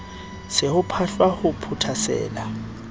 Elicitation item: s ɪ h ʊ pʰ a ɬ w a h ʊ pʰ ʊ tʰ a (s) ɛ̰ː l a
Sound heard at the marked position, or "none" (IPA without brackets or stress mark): s